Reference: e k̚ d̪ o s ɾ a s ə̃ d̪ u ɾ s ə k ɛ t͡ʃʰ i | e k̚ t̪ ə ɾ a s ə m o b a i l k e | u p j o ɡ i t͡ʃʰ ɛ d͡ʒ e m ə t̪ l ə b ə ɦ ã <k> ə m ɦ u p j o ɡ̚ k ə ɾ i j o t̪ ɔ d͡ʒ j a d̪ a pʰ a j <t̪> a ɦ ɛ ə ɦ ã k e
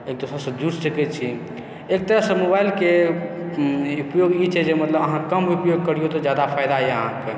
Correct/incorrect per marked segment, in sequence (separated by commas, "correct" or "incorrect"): correct, incorrect